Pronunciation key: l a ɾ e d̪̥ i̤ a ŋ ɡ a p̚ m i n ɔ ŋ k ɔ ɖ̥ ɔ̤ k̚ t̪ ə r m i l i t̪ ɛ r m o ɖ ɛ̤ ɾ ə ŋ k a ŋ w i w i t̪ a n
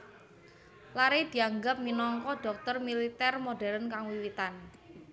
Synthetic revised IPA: l a ɾ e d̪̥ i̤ a ŋ ɡ a p̚ m i n ɔ ŋ k ɔ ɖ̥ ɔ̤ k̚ t̪ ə r m i l i t̪ ɛ r m o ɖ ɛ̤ ɾ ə n k a ŋ w i w i t̪ a n